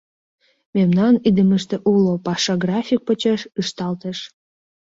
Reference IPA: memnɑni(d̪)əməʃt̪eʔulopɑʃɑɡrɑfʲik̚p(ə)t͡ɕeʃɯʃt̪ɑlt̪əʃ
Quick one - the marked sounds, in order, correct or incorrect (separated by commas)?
correct, correct